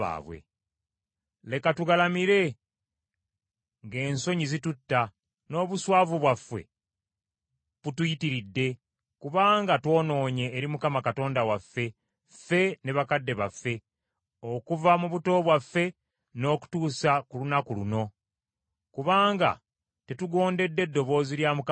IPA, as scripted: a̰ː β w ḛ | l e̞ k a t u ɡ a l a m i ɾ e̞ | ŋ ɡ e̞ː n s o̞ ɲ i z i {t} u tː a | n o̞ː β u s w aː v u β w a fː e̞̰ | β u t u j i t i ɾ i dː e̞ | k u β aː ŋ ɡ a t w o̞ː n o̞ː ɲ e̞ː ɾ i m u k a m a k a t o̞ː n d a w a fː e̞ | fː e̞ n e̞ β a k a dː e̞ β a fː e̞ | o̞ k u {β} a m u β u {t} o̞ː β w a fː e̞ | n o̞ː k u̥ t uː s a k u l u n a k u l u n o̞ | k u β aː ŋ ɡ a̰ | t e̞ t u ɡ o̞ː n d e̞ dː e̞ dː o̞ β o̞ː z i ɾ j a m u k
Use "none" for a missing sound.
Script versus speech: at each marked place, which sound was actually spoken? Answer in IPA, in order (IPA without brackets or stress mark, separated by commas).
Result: t, v, t